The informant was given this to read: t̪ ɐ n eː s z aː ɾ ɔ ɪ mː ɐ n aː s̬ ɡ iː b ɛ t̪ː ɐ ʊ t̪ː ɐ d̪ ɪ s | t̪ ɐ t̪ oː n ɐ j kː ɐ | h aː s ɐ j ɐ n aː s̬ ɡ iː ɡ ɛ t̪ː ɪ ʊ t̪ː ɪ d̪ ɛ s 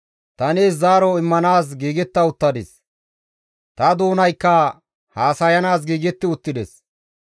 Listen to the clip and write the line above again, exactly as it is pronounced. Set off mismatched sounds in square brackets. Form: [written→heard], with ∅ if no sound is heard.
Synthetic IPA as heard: t̪ ɐ n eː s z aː ɾ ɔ ɪ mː ɐ n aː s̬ ɡ iː [b→ɡ] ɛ t̪ː ɐ ʊ t̪ː ɐ d̪ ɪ s | t̪ ɐ [t̪→d̪] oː n ɐ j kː ɐ | h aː s ɐ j ɐ n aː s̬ ɡ iː ɡ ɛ t̪ː ɪ ʊ t̪ː ɪ d̪ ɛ s